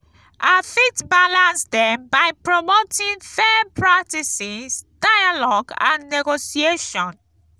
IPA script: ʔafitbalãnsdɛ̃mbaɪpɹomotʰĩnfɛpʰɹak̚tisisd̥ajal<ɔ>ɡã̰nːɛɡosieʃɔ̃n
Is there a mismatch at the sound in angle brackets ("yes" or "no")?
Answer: no